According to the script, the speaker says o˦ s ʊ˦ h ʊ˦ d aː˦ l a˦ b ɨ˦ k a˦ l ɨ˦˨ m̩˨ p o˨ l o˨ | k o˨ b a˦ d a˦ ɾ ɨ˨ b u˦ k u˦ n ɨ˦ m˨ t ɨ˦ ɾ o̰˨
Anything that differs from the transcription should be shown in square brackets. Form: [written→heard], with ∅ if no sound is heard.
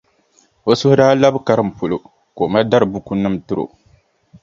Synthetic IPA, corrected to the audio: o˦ s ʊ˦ h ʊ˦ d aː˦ l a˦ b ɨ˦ k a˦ [l→ɾ] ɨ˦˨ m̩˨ p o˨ l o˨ | k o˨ [b→m] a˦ d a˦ ɾ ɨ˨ b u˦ k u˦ n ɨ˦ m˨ t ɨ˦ ɾ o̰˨